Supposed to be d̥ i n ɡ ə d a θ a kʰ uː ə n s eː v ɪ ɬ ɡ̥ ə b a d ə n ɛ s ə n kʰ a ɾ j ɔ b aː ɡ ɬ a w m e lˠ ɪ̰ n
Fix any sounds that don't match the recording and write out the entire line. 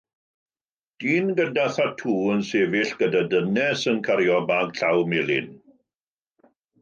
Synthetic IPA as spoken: d̥ iː n ɡ ə d a θ a tʰ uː ə n s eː v ɪ ɬ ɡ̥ ə d a d ə n ɛ s ə n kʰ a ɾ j ɔ b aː ɡ ɬ a w m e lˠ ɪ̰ n